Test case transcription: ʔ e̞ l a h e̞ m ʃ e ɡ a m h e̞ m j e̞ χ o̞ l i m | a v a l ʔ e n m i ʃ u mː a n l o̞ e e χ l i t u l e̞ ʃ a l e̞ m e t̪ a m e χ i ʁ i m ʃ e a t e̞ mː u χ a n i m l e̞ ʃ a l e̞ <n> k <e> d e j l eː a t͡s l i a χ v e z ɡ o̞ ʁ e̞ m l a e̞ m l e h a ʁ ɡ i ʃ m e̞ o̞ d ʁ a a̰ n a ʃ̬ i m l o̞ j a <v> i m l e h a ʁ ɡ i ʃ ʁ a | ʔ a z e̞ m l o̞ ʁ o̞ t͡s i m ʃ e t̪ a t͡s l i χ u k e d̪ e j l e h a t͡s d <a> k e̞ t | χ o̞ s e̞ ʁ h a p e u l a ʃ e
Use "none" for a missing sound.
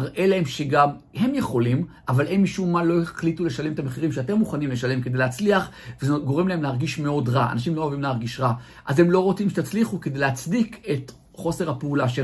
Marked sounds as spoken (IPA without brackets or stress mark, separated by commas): m, e, v, i